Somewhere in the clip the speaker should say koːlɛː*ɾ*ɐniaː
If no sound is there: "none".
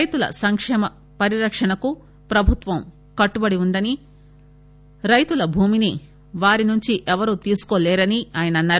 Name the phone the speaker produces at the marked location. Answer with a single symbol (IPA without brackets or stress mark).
ɾ